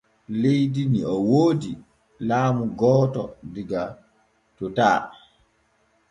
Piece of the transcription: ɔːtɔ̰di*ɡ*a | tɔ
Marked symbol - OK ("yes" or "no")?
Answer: yes